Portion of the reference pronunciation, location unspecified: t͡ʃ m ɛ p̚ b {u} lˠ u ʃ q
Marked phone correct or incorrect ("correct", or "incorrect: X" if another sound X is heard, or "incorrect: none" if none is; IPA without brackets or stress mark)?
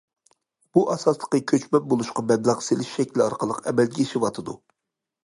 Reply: incorrect: o